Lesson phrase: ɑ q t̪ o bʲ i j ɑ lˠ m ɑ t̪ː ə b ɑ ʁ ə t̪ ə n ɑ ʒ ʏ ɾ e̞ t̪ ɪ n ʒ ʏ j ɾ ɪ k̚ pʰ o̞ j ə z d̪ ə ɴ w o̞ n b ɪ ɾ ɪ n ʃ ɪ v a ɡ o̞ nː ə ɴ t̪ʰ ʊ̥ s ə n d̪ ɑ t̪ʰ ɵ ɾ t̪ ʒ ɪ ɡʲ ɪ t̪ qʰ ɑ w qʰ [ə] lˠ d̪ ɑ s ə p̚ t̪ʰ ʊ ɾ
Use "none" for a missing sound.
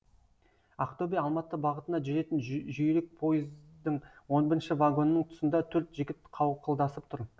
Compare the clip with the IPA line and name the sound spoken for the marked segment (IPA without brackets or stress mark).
ə